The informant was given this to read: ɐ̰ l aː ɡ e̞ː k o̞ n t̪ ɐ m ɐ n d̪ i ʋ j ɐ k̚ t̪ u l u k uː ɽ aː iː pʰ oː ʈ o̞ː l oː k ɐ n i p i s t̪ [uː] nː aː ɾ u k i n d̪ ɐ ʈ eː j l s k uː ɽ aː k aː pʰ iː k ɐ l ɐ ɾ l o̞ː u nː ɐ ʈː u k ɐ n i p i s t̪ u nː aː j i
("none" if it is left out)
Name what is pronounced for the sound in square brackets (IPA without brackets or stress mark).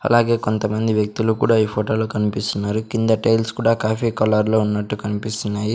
u